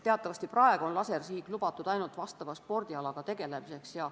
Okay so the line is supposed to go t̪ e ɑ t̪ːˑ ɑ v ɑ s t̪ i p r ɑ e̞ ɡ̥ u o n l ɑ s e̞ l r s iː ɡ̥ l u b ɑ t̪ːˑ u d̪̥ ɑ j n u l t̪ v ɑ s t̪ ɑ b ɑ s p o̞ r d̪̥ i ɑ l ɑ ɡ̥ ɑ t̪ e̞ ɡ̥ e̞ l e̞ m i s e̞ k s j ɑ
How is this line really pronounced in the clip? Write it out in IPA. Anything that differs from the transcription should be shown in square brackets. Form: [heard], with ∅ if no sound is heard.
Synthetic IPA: t̪ e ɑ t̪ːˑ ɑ v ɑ s t̪ i p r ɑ e̞ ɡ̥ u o n l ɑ s e̞ [∅] r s iː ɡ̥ l u b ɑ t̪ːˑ u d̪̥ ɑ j n u l t̪ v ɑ s t̪ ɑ [v] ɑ s p o̞ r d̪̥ i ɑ l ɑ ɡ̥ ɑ t̪ e̞ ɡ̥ e̞ l e̞ m i s e̞ k s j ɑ